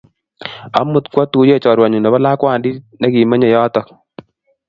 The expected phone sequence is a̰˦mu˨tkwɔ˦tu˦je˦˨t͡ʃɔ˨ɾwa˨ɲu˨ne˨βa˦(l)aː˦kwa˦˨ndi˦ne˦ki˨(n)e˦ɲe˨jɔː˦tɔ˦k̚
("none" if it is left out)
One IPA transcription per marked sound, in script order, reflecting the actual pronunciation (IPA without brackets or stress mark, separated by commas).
l, m